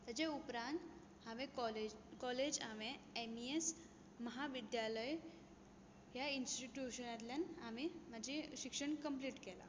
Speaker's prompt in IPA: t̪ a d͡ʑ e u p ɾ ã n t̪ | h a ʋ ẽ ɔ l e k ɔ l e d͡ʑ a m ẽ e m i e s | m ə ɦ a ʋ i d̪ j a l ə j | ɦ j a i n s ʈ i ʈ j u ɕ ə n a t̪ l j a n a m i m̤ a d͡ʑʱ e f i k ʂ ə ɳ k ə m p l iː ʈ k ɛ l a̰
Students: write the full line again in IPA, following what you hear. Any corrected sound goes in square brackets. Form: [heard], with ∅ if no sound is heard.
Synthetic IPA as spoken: t̪ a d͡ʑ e u p ɾ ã n t̪ | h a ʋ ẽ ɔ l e k ɔ l e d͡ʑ a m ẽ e m i e s | m ə ɦ a ʋ i d̪ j a l ə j | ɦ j a i n s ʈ i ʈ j u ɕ ə n a t̪ l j a n a m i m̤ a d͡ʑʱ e [ɕ] i k ʂ ə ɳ k ə m p l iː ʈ k ɛ l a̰